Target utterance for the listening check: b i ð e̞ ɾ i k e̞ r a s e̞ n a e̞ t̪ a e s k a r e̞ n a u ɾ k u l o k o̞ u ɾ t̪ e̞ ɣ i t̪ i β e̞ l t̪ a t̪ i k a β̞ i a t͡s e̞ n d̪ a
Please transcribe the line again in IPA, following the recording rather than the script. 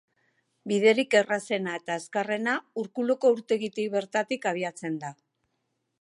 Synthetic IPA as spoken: b i ð e̞ ɾ i k e̞ r a s e̞ n a e̞ t̪ a e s k a r e̞ n a u ɾ k u l o k o̞ u ɾ t̪ e̞ ɣ i t̪ i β e̞ ɾ t̪ a t̪ i k a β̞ i a t͡s e̞ n d̪ a